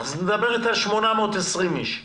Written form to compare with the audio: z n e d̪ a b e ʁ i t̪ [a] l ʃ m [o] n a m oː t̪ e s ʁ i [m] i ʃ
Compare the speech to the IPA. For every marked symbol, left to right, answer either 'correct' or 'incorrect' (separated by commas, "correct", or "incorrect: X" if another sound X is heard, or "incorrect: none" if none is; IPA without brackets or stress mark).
correct, correct, correct